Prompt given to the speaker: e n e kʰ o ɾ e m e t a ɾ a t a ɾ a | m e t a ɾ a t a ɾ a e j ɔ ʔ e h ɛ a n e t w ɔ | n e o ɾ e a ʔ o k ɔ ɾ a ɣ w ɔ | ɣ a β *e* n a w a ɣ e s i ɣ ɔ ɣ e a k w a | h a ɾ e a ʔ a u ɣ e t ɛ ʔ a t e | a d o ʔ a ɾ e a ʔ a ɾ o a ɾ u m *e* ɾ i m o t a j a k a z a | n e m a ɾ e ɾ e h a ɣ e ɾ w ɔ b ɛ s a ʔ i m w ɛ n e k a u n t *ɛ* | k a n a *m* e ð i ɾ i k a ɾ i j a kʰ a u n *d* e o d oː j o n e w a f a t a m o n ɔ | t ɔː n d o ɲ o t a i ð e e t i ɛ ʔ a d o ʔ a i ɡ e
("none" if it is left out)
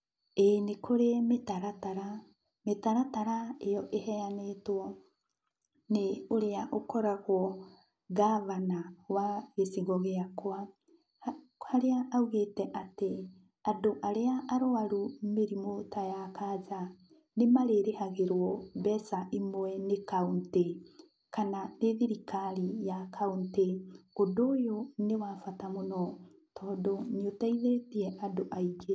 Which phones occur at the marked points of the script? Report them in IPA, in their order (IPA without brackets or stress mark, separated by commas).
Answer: a, e, e, n, t